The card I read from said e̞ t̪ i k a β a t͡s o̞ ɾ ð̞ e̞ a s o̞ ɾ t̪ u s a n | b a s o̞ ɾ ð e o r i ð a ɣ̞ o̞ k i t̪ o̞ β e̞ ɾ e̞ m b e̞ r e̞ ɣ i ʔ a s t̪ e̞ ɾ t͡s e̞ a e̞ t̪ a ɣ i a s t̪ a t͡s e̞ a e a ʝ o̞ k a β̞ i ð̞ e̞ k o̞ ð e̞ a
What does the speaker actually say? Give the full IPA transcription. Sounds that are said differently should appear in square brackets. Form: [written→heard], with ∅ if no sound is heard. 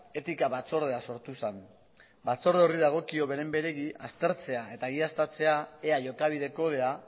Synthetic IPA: e̞ t̪ i k a β a t͡s o̞ ɾ ð̞ e̞ a s o̞ ɾ t̪ u s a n | b a [s→t͡s] o̞ ɾ ð e o r i ð a ɣ̞ o̞ k i [t̪→∅] o̞ β e̞ ɾ e̞ m b e̞ [r→ɾ] e̞ ɣ i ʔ a s t̪ e̞ ɾ t͡s e̞ a e̞ t̪ a ɣ i a s t̪ a t͡s e̞ a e a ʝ o̞ k a β̞ i ð̞ e̞ k o̞ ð e̞ a

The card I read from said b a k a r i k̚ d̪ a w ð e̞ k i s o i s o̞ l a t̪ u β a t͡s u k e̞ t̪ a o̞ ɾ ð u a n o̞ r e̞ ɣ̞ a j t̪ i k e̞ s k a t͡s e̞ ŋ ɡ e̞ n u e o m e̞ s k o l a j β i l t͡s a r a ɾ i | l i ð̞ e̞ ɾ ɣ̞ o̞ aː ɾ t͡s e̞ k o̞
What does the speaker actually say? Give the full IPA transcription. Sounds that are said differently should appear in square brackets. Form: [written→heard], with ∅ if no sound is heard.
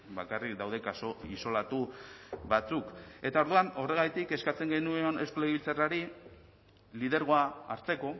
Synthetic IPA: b a k a r i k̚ d̪ a w ð e̞ k [i→a] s o i s o̞ l a t̪ u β a t͡s u k e̞ t̪ a o̞ ɾ ð u a n o̞ r e̞ ɣ̞ a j t̪ i k e̞ s k a t͡s e̞ ŋ ɡ e̞ n u e o [m→n] e̞ s k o l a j β i l t͡s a r a ɾ i | l i ð̞ e̞ ɾ ɣ̞ o̞ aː ɾ t͡s e̞ k o̞

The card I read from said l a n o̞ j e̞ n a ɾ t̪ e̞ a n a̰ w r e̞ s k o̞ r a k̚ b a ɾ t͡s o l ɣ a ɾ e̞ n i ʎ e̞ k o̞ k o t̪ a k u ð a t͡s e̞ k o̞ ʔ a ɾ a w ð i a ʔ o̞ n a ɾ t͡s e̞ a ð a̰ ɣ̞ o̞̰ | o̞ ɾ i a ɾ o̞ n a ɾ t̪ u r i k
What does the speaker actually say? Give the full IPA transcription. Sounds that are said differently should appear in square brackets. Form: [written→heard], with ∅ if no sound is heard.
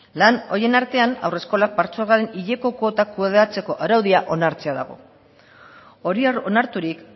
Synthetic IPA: l a n o̞ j e̞ n a ɾ t̪ e̞ a n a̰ w r e̞ s k o̞ [r→l] a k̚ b a ɾ t͡s o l ɣ a ɾ e̞ n i ʎ e̞ k o̞ k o t̪ a k u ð a t͡s e̞ k o̞ ʔ a ɾ a w ð i a ʔ o̞ n a ɾ t͡s e̞ a ð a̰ ɣ̞ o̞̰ | o̞ ɾ i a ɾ o̞ n a ɾ t̪ u [r→ɾ] i k

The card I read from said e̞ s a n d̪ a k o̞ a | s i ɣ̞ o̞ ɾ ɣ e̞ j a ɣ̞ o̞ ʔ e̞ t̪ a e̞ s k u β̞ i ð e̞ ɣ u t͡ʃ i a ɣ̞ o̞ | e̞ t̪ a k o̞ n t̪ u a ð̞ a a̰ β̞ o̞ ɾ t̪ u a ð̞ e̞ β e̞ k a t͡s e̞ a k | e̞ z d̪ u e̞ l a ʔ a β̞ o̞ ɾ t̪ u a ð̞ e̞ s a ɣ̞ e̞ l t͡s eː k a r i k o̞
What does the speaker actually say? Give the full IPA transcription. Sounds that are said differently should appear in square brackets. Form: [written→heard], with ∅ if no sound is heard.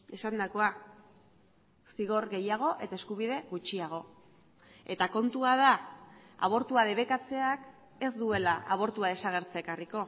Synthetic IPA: e̞ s a n d̪ a k o̞ a | s i ɣ̞ o̞ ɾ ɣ e̞ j a ɣ̞ o̞ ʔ e̞ t̪ a e̞ s k u β̞ i ð e̞ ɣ u t͡ʃ i a ɣ̞ o̞ | e̞ t̪ a k o̞ n t̪ u a ð̞ a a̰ β̞ o̞ ɾ t̪ u a ð̞ e̞ β e̞ k a t͡s e̞ a k | e̞ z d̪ u e̞ l a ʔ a β̞ o̞ ɾ t̪ u a ð̞ e̞ s a ɣ̞ e̞ [l→ɾ] t͡s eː k a r i k o̞

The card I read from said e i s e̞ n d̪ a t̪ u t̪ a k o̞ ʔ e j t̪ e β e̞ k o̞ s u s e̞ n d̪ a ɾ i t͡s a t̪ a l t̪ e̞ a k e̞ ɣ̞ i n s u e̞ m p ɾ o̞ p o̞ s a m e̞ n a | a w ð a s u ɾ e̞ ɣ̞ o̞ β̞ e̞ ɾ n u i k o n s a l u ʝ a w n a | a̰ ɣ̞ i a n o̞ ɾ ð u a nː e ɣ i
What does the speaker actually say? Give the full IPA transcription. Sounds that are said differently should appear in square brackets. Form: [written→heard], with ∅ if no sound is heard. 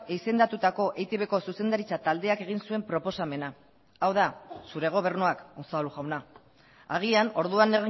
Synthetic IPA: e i s e̞ n d̪ a t̪ u t̪ a k o̞ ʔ e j t̪ e β e̞ k o̞ s u s e̞ n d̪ a ɾ i t͡s a t̪ a l [t̪→d̪] e̞ a k e̞ ɣ̞ i n s u e̞ m p ɾ o̞ p o̞ s a m e̞ n a | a w ð a s u ɾ e̞ ɣ̞ o̞ β̞ e̞ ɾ n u [i→a] k o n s a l u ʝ a w n a | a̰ ɣ̞ i a n o̞ ɾ ð u a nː e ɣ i

